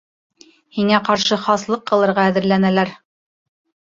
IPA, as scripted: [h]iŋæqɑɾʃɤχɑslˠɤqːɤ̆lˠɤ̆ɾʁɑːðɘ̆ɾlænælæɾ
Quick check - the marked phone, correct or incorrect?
correct